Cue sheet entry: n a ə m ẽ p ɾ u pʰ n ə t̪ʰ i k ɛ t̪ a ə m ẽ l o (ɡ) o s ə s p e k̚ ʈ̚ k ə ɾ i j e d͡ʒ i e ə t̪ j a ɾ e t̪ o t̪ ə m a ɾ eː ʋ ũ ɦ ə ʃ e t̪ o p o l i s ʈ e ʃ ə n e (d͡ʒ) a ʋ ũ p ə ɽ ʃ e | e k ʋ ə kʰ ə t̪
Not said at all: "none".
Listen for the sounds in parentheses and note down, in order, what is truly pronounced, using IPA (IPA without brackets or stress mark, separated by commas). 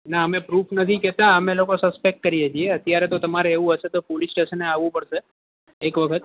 k, none